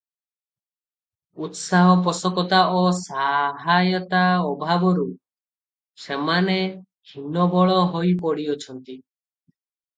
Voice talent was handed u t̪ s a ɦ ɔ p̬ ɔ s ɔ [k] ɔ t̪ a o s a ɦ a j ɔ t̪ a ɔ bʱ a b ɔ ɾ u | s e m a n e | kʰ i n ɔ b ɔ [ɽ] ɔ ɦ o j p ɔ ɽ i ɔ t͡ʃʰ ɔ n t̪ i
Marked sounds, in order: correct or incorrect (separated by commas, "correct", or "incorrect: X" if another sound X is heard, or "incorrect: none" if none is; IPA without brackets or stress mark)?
correct, incorrect: ɭ